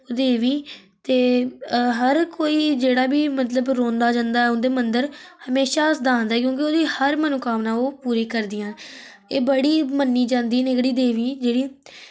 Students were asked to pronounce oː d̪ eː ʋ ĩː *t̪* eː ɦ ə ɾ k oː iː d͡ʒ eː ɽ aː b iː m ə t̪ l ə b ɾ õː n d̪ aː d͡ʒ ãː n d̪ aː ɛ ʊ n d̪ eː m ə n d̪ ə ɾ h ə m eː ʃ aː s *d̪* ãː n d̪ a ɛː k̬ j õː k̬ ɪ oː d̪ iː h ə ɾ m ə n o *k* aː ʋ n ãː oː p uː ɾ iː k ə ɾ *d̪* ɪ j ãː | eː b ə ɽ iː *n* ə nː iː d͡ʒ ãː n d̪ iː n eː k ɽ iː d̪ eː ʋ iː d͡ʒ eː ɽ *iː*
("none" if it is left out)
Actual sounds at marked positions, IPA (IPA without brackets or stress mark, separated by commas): t̪, d̪, k, d̪, m, iː